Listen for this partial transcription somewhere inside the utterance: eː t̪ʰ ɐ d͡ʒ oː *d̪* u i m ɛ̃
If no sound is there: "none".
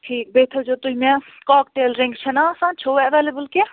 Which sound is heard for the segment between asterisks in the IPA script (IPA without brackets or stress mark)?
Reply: t̪